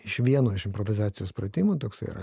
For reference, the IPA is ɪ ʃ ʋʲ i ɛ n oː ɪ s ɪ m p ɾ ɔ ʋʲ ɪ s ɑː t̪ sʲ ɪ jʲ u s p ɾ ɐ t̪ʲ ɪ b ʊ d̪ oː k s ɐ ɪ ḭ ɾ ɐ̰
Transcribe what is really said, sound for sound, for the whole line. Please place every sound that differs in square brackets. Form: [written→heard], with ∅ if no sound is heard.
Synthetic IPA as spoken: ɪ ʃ ʋʲ i ɛ n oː ɪ [s→ʃ] ɪ m p ɾ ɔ ʋʲ ɪ [s→z] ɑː t̪ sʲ ɪ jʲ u s p ɾ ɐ t̪ʲ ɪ [b→m] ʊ [d̪→t̪] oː k s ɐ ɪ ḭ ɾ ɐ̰